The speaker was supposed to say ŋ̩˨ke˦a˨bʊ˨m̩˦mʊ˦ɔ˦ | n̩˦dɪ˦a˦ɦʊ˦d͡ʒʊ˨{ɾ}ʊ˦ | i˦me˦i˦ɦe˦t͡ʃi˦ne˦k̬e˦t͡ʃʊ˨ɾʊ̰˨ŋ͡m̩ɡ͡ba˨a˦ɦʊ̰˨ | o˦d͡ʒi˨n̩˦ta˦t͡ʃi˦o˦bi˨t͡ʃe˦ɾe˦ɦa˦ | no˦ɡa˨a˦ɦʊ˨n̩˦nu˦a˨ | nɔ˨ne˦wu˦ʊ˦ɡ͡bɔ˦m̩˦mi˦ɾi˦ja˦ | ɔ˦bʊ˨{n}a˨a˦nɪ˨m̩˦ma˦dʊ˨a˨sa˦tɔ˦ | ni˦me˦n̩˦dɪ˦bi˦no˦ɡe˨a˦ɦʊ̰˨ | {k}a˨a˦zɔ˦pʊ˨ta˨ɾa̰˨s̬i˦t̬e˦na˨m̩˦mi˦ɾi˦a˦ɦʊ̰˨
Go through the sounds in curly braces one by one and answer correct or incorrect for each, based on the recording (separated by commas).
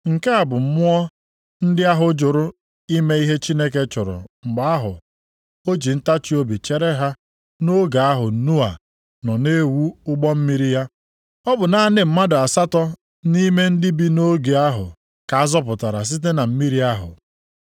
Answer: correct, correct, correct